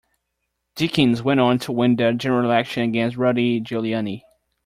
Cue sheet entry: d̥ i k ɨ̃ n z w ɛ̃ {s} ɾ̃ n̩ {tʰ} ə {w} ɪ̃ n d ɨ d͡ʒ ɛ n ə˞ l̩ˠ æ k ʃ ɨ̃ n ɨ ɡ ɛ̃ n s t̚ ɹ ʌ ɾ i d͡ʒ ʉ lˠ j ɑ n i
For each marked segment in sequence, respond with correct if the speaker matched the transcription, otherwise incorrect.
incorrect, correct, correct

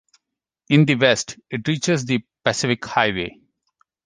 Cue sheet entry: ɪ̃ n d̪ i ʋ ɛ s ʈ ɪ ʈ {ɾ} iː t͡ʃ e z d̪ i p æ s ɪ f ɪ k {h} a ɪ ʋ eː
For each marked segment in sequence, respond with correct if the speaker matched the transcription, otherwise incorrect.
correct, correct

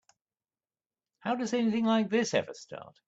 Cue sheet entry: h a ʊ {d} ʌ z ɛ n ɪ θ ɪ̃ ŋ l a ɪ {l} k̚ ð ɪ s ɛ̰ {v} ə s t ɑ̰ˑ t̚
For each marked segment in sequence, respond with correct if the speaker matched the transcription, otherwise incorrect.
correct, incorrect, correct

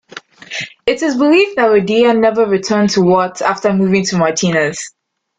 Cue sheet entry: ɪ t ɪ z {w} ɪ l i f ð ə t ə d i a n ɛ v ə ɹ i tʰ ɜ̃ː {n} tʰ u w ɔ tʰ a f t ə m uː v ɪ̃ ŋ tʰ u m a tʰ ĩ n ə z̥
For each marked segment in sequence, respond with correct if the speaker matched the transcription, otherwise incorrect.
incorrect, correct

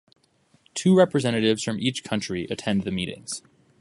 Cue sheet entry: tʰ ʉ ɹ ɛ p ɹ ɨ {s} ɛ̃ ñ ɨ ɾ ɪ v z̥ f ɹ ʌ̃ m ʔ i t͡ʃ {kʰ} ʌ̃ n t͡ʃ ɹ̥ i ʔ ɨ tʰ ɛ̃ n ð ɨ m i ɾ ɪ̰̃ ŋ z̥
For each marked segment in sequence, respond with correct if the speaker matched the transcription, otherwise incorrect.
incorrect, correct

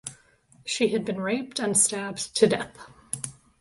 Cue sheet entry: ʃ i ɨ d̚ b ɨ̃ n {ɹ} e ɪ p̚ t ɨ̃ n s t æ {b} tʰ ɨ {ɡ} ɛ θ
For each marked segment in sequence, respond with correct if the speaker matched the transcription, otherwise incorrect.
correct, correct, incorrect

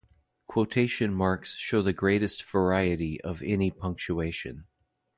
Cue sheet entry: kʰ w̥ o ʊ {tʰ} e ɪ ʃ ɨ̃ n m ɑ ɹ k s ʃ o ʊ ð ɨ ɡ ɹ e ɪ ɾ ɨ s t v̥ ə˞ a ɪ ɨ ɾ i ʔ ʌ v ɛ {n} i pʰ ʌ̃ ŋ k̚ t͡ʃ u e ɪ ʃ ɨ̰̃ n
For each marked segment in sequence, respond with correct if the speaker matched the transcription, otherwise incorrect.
correct, correct

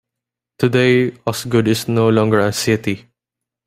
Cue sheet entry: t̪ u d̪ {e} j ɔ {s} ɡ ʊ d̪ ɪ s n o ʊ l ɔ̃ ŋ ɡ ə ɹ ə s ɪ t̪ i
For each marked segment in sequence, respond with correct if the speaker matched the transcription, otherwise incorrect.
correct, correct

